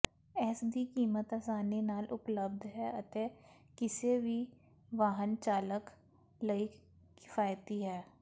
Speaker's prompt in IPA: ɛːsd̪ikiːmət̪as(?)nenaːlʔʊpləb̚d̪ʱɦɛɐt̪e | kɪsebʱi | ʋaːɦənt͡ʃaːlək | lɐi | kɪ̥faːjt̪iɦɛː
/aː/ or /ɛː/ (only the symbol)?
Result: aː